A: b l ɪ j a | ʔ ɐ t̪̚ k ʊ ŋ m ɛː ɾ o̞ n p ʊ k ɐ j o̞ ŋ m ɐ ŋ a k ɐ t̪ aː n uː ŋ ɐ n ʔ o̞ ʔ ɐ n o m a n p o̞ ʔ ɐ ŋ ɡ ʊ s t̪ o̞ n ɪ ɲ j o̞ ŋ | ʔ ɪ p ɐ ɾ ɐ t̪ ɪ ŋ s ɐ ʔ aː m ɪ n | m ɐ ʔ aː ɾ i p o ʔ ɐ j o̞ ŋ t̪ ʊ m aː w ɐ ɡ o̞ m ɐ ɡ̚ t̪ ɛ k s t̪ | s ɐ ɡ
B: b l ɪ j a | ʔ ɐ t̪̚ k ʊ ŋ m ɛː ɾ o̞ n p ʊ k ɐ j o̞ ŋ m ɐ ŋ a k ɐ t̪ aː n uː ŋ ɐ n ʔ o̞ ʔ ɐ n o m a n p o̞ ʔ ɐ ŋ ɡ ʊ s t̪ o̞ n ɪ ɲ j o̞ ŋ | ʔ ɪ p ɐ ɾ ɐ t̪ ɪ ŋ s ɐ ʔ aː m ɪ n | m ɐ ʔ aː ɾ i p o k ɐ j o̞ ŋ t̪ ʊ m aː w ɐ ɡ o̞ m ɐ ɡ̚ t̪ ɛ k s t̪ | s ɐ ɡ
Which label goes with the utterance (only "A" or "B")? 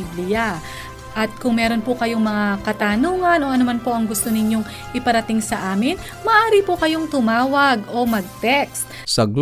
B